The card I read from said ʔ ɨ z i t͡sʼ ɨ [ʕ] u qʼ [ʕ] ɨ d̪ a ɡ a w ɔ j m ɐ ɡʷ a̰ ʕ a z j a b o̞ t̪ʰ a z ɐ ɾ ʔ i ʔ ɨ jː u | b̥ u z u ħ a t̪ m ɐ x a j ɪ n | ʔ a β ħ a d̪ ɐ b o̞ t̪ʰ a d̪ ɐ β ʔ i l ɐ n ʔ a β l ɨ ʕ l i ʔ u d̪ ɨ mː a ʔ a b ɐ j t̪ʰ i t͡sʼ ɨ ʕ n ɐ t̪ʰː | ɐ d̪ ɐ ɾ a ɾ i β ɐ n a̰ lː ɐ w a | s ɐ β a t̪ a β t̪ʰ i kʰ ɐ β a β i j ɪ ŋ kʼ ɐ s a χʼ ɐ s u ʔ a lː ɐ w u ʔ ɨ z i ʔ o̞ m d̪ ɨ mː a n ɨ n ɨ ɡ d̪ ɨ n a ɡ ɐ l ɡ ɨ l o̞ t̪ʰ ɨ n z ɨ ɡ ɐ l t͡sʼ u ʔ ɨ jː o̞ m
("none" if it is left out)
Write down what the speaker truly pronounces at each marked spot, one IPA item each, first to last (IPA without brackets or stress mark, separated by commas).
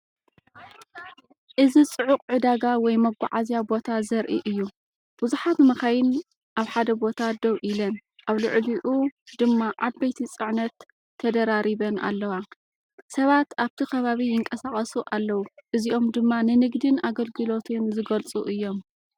ʕ, ʕ